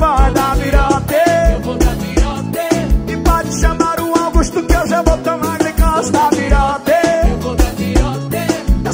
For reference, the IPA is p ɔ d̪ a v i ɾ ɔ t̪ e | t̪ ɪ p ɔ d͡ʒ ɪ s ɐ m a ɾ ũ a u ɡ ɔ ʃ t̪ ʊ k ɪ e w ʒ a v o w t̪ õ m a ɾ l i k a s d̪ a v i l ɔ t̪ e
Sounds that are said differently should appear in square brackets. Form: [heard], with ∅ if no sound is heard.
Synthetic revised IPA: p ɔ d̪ a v i ɾ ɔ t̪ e | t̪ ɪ p ɔ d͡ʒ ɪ [ʃ] ɐ m a ɾ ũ a [w] ɡ [u] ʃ t̪ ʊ k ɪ e w ʒ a v o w t̪ [o] m a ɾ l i k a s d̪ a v i [ɾ] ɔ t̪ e